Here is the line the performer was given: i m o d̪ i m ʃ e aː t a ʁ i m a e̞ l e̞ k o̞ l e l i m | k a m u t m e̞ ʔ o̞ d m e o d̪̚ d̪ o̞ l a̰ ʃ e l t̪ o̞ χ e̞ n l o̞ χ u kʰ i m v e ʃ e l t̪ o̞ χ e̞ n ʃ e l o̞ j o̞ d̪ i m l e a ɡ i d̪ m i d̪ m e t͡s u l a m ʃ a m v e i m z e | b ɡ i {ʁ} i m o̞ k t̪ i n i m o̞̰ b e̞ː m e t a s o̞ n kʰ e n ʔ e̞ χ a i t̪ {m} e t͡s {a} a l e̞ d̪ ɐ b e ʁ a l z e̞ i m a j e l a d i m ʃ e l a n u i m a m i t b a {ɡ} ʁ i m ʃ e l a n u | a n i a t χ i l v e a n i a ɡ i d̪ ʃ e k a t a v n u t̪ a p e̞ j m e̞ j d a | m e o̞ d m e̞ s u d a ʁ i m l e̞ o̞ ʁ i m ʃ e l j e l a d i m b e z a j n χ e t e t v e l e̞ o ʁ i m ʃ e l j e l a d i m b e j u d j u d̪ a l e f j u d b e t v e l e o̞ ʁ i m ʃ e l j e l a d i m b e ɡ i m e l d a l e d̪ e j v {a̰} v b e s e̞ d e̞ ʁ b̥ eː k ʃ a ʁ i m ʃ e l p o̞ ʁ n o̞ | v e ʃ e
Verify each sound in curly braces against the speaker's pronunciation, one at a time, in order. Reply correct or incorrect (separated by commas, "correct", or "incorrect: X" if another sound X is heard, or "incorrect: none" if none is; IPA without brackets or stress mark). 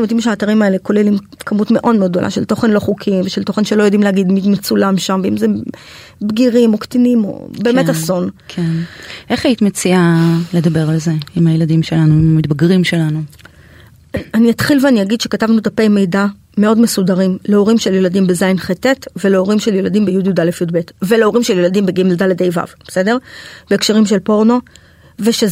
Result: correct, correct, incorrect: i, correct, correct